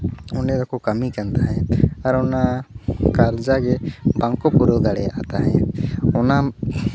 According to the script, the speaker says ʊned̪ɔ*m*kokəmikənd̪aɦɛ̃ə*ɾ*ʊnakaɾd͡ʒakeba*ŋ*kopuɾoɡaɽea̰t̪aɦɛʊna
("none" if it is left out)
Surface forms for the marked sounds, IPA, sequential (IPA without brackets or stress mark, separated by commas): none, ɾ, ŋ